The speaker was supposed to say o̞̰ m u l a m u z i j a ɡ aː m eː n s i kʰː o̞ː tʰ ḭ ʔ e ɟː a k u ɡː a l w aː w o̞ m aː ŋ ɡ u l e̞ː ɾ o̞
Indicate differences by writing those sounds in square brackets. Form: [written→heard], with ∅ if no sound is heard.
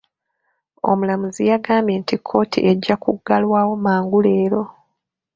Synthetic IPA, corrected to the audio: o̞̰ m u l a m u z i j a ɡ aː m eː n [s→t] i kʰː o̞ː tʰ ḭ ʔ e ɟː a k u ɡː a l w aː w o̞ m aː ŋ ɡ u l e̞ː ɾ o̞